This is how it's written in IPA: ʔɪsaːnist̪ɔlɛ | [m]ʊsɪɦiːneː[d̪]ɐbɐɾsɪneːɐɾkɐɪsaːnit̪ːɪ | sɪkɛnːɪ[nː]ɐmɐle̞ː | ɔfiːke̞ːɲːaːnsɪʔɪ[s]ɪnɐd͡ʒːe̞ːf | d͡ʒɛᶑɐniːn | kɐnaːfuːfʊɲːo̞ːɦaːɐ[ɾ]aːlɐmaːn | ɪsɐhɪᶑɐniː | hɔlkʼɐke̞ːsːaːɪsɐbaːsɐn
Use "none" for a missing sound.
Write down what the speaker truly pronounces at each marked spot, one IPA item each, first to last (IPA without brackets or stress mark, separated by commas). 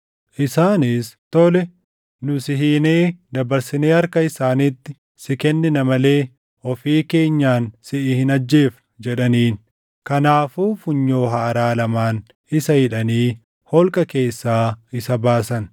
n, d̪, n, h, ɾ